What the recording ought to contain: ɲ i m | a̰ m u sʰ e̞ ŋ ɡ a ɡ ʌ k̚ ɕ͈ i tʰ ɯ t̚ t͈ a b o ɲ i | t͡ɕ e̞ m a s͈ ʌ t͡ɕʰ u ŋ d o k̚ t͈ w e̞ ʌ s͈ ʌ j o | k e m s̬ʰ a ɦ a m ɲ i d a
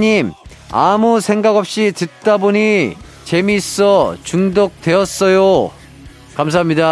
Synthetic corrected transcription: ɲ i m | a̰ m u sʰ e̞ ŋ ɡ a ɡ ʌ p̚ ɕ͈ i t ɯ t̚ t͈ a b o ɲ i | t͡ɕ e̞ m i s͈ ʌ t͡ɕ u ŋ d o k̚ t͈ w e̞ ʌ s͈ ʌ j o | k a m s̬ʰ a ɦ a m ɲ i d a